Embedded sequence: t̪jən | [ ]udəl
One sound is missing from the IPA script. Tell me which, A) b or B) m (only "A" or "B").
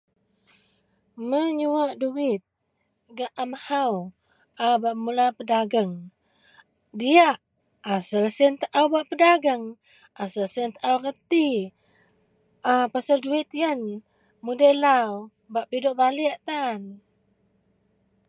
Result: B